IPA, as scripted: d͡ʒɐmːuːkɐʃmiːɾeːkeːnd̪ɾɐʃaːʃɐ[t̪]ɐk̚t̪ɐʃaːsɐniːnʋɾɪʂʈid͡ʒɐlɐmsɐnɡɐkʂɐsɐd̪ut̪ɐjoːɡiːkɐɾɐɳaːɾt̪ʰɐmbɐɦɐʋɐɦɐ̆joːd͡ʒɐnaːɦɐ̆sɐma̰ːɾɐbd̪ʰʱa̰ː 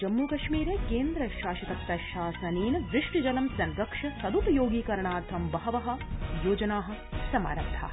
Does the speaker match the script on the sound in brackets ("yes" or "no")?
yes